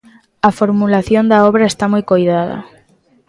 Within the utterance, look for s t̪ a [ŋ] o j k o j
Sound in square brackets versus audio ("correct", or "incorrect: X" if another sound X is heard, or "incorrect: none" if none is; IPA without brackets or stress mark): incorrect: m